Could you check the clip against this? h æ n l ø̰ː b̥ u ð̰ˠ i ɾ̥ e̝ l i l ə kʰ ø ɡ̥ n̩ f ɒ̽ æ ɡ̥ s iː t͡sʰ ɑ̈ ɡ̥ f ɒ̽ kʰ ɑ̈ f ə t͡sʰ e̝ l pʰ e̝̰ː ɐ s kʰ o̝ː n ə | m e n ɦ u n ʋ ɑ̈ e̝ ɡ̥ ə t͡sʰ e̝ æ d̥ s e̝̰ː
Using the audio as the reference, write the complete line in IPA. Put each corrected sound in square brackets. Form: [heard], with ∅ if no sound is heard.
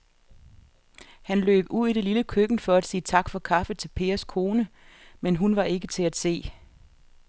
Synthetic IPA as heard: h æ n l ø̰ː b̥ u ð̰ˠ i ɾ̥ e̝ l i l ə kʰ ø ɡ̥ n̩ f ɒ̽ æ [d̥] s iː t͡sʰ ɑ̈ ɡ̥ f ɒ̽ kʰ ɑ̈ f ə t͡sʰ e̝ l pʰ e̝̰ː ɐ s kʰ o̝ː n ə | m e n ɦ u n ʋ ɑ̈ e̝ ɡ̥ ə t͡sʰ e̝ æ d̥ s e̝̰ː